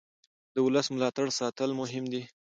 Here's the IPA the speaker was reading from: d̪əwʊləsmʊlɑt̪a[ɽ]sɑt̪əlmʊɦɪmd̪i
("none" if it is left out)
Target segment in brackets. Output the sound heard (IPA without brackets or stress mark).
ɽ